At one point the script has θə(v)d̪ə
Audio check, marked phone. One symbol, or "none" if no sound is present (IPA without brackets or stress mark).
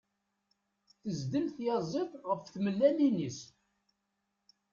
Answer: z